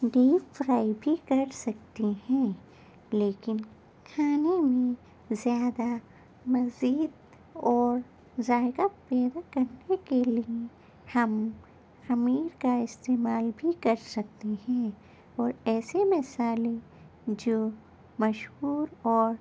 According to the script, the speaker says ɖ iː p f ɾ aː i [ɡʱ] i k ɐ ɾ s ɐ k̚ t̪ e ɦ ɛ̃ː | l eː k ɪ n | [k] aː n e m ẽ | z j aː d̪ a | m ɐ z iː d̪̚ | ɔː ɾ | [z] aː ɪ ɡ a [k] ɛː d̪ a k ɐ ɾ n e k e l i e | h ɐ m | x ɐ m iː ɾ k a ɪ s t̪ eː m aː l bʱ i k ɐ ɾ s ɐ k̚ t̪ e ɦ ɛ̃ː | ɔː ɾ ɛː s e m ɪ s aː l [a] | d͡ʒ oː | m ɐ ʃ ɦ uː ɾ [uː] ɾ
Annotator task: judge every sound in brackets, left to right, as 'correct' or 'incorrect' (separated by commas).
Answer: incorrect, incorrect, correct, incorrect, incorrect, incorrect